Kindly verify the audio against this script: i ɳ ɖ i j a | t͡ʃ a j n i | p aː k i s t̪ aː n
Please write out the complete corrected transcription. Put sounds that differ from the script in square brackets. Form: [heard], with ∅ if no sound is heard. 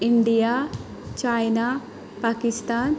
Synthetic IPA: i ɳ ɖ i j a | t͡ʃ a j n [a] | p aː k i s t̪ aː n